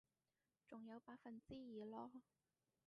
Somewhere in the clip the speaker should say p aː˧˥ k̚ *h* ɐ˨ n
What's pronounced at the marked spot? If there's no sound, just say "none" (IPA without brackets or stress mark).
f